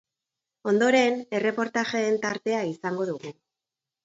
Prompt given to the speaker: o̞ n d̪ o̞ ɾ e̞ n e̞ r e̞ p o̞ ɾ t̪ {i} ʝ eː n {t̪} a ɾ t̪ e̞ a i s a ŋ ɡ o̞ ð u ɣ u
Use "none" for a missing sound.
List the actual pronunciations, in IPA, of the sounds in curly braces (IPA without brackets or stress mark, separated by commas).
a, t̪